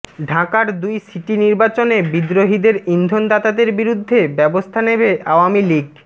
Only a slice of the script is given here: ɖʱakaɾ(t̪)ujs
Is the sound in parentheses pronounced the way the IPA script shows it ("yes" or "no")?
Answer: no